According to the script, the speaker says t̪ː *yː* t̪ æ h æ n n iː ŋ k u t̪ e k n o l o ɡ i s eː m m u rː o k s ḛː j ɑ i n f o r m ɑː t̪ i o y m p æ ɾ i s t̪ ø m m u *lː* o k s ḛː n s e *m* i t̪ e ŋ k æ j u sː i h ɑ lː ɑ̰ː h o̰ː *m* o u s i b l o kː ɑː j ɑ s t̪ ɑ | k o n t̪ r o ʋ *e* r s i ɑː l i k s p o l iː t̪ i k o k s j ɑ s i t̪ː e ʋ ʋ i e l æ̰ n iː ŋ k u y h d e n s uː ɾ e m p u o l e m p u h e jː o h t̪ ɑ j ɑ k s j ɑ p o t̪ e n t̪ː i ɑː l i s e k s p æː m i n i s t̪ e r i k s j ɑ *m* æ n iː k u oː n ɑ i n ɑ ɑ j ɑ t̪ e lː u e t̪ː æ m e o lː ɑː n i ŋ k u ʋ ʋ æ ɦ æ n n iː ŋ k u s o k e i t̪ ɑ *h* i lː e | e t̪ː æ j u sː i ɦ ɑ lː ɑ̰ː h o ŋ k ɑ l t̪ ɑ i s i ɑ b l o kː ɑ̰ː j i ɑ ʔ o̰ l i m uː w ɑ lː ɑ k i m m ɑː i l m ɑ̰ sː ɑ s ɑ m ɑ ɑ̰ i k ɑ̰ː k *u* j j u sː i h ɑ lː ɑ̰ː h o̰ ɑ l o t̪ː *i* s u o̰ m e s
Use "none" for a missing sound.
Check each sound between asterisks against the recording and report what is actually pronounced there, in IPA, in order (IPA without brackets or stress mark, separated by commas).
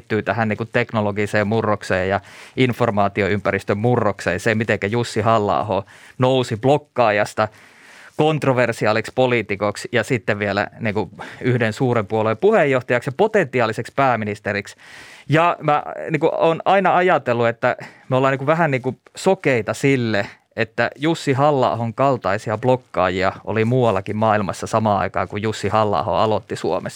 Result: yː, rː, m, n, e, m, s, u, i